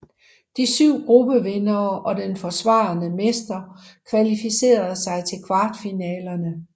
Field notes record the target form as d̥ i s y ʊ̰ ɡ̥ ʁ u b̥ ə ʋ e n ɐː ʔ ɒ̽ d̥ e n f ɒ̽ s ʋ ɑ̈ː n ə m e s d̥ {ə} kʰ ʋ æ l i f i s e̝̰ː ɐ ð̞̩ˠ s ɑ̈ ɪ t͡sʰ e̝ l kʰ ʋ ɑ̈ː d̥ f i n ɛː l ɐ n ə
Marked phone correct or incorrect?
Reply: incorrect